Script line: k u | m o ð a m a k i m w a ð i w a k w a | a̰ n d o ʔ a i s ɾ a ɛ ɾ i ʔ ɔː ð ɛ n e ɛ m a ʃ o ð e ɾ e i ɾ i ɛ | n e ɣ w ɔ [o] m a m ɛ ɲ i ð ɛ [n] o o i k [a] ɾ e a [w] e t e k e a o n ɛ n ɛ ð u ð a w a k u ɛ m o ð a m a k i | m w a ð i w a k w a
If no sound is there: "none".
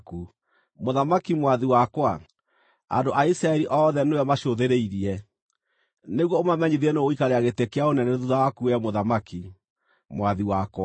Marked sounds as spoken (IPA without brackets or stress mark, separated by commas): o, n, a, ɣ